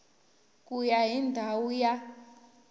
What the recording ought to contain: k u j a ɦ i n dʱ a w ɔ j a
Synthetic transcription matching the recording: k u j a ɦ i n dʱ a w u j a